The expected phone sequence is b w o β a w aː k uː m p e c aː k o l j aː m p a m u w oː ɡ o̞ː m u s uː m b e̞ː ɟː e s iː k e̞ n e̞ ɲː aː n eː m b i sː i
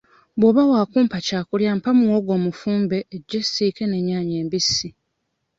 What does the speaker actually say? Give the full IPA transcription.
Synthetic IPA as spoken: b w o β a w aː k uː m p a c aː k u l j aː m p a m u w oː ɡ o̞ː m u f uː m b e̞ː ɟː e s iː k e̞ n e̞ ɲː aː ɲ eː m b i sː i